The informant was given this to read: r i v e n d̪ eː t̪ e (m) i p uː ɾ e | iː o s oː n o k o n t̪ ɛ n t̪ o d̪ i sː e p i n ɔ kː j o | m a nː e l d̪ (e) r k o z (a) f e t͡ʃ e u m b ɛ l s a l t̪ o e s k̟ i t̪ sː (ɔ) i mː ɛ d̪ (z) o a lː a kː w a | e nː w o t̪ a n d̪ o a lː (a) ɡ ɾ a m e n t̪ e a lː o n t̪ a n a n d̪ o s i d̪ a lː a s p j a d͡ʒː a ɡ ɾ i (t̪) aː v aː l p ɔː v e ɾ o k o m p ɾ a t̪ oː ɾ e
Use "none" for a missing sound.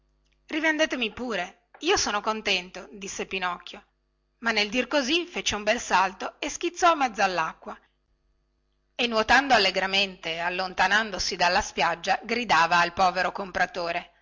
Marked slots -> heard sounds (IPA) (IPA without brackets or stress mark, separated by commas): m, i, i, ɔ, zː, e, d̪